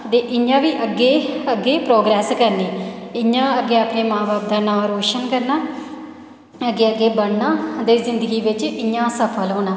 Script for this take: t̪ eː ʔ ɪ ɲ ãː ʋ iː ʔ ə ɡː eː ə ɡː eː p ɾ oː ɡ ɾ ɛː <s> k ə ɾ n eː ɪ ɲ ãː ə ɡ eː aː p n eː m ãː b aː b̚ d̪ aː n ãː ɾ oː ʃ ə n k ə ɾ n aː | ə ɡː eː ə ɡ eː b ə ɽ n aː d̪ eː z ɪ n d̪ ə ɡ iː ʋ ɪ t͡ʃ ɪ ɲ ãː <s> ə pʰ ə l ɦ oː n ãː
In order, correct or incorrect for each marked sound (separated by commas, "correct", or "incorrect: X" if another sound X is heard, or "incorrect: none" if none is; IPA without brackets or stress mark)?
correct, correct